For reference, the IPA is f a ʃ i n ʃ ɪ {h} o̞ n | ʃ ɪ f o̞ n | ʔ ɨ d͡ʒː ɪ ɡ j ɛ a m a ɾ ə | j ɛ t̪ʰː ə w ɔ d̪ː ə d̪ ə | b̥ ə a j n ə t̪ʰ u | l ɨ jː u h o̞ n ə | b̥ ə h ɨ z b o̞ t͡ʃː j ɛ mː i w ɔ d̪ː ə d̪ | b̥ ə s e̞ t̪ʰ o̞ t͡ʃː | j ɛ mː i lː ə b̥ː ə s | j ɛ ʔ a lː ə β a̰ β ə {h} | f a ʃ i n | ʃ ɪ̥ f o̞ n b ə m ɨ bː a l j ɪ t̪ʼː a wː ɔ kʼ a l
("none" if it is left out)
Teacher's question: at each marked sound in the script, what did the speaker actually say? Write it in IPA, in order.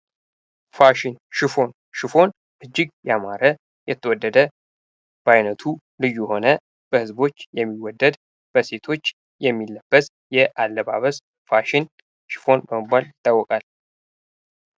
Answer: f, s

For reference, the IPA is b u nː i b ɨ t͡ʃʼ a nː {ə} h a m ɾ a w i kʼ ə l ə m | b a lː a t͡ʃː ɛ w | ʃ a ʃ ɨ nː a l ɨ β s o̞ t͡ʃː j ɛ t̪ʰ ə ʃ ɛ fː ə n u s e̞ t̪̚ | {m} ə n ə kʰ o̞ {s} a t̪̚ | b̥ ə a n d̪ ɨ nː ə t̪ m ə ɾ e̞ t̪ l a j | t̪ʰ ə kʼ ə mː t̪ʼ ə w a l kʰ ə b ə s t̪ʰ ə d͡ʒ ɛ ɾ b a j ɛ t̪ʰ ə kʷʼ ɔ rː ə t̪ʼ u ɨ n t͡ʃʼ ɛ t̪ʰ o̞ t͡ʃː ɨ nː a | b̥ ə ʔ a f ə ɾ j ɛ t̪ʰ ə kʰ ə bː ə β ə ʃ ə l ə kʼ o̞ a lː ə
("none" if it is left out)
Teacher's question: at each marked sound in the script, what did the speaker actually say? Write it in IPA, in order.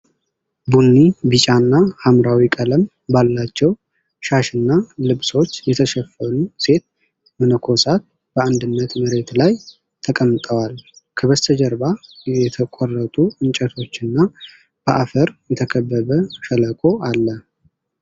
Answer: a, m, s

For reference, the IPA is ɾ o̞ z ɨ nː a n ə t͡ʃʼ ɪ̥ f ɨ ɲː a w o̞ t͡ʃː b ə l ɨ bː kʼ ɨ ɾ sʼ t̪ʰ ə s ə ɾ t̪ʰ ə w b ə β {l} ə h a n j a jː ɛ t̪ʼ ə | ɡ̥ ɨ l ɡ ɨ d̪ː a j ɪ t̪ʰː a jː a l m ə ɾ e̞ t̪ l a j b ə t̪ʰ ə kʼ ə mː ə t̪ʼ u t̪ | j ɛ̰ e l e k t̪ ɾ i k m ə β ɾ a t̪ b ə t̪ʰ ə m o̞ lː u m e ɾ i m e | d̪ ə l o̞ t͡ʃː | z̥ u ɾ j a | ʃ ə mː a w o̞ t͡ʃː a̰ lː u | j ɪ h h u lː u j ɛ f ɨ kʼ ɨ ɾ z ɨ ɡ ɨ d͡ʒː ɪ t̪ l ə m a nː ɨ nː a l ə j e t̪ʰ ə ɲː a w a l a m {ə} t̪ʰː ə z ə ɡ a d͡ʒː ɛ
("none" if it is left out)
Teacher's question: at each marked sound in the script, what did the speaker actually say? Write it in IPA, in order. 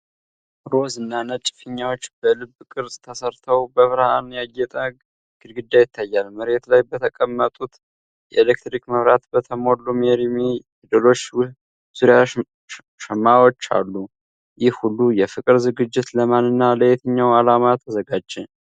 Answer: ɾ, a

